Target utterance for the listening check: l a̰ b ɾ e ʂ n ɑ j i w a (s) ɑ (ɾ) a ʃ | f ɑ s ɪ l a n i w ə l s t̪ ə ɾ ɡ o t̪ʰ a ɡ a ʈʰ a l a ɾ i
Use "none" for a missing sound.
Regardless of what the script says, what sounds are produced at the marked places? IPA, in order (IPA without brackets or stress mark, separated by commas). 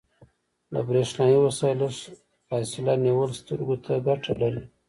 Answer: s, l